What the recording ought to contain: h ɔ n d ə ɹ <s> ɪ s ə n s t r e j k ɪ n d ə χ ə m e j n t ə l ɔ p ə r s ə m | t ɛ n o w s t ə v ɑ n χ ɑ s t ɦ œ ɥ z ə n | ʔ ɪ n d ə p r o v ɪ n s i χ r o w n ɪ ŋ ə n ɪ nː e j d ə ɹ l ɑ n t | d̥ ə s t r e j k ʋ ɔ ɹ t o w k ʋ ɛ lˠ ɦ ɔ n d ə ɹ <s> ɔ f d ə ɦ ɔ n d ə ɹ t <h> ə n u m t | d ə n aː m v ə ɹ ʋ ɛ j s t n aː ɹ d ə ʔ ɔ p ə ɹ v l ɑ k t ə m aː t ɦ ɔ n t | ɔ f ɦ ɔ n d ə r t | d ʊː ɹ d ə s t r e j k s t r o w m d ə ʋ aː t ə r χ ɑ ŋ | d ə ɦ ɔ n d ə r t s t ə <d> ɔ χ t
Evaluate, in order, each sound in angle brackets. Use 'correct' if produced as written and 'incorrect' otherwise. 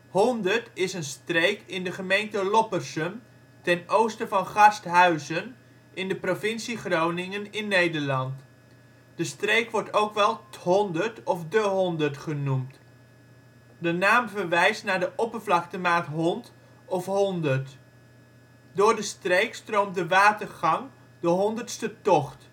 incorrect, incorrect, incorrect, incorrect

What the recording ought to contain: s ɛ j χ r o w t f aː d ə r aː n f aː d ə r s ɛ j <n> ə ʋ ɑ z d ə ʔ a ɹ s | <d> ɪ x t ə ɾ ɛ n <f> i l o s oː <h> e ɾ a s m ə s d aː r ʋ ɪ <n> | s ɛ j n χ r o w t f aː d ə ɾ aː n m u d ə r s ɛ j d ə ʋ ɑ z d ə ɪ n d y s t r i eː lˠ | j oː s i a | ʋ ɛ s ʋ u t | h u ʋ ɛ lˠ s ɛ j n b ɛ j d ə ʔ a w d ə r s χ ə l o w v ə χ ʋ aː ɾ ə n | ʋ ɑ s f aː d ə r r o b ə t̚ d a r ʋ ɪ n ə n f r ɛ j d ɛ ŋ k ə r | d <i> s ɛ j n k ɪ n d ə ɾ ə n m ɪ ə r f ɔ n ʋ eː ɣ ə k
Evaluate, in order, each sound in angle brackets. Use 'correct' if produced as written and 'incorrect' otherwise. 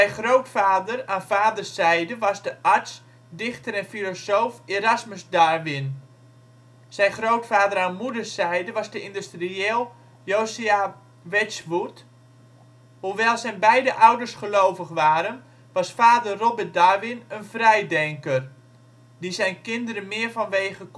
incorrect, correct, correct, incorrect, correct, correct

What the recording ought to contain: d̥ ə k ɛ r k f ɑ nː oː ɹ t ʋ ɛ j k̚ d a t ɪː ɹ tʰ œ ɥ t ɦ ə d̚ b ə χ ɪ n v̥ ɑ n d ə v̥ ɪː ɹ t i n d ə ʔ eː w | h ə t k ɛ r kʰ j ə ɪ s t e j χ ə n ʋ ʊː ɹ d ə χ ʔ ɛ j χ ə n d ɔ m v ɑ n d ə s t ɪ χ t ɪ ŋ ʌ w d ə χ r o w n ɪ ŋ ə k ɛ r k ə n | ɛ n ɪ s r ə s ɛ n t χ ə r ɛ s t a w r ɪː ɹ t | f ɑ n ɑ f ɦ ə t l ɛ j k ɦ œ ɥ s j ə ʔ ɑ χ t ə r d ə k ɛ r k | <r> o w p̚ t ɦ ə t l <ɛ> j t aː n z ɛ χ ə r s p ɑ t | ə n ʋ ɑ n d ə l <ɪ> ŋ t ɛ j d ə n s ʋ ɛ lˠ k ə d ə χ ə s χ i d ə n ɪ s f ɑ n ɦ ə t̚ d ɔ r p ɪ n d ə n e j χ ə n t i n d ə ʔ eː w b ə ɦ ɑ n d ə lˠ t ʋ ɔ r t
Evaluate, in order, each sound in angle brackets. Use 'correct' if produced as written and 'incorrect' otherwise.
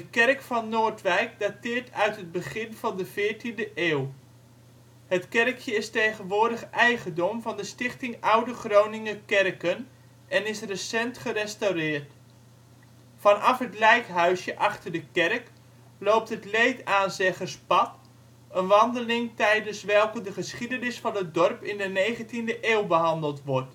incorrect, incorrect, correct

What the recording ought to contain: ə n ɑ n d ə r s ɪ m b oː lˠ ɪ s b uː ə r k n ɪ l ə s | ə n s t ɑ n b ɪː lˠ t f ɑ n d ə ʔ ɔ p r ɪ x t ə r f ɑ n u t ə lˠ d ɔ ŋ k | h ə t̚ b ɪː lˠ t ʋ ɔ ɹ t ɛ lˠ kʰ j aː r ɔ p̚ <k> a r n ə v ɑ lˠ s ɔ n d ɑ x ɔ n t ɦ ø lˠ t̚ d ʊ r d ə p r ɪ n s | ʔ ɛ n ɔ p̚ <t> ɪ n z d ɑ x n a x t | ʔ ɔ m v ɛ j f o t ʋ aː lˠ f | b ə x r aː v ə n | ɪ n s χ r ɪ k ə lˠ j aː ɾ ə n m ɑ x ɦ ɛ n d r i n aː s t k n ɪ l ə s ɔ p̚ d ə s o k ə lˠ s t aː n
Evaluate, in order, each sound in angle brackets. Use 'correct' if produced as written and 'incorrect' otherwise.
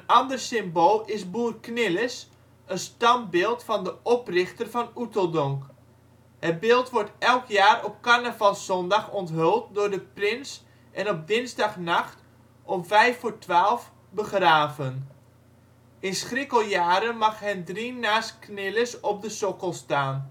correct, incorrect

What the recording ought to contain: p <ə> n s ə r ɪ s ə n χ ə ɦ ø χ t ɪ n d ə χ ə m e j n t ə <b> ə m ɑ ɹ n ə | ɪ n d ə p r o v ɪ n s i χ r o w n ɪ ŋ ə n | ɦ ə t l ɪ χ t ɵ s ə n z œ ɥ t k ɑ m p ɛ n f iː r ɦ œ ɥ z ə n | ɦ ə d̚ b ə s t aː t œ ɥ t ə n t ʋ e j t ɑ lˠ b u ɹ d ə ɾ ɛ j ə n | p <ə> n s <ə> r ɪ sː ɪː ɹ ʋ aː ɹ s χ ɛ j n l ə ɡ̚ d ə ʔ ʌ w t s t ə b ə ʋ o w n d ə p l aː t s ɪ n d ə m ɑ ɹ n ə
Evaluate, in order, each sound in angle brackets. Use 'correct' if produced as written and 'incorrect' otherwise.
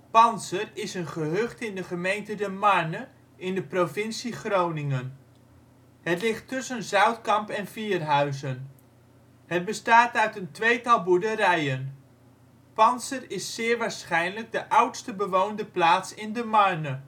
incorrect, incorrect, incorrect, correct

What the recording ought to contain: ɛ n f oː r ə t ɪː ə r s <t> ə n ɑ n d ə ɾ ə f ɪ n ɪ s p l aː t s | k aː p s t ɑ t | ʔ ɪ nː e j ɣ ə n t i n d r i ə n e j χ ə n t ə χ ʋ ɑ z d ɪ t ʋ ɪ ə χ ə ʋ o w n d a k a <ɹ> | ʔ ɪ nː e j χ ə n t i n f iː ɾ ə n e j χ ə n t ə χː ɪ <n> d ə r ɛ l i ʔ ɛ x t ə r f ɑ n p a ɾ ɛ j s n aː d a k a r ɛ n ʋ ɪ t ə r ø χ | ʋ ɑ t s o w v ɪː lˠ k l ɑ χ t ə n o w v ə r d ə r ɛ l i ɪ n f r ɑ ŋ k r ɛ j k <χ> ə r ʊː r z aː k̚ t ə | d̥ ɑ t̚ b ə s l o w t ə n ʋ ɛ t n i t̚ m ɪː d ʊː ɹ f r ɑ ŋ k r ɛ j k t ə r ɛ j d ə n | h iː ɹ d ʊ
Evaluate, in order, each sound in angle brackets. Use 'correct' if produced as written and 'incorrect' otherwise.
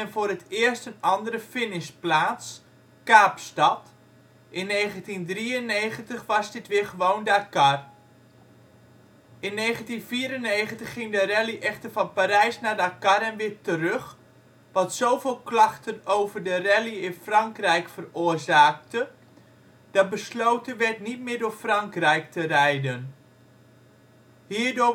correct, incorrect, incorrect, incorrect

